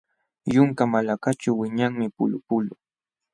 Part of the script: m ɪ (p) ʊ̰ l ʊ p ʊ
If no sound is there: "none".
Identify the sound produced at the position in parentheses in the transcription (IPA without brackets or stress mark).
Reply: p